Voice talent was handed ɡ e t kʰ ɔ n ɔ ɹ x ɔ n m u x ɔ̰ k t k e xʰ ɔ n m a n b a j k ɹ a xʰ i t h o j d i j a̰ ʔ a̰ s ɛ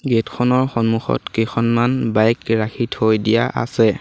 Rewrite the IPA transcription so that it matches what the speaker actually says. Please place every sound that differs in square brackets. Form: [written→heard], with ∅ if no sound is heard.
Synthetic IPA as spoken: ɡ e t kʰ ɔ n ɔ ɹ x ɔ n m u x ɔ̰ [k→∅] t k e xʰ ɔ n m a n b a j k ɹ a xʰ i t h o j d i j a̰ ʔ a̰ s ɛ